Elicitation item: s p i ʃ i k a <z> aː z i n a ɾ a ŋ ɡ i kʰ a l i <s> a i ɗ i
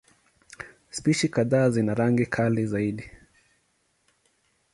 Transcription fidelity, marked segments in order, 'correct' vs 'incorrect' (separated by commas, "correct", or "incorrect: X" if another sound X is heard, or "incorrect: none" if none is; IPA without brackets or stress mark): incorrect: ð, incorrect: z